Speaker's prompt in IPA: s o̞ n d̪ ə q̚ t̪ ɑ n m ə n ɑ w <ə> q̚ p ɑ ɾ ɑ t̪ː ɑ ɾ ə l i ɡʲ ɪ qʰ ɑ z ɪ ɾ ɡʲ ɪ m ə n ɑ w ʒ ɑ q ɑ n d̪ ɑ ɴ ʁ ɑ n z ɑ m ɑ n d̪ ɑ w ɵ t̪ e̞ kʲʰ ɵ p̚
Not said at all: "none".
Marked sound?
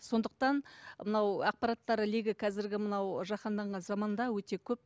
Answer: ɑ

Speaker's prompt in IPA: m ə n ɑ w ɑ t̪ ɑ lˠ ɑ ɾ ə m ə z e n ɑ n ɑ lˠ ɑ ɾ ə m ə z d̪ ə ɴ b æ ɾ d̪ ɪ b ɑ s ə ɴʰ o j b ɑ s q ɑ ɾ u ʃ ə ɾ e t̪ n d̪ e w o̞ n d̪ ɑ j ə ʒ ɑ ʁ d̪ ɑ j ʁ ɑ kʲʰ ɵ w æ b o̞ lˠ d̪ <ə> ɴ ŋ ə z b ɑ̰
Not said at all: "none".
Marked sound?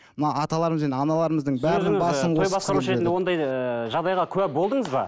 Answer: ə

